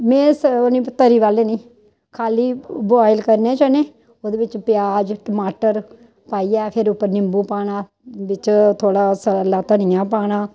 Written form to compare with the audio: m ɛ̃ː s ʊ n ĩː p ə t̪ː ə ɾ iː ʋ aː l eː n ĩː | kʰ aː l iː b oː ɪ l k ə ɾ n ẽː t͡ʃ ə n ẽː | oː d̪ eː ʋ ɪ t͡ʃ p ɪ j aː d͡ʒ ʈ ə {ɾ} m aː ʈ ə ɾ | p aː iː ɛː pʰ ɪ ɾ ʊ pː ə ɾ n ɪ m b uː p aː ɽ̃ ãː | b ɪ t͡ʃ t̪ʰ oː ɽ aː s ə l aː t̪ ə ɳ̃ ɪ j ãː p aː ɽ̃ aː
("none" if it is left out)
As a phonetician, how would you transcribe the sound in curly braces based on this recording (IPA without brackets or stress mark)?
none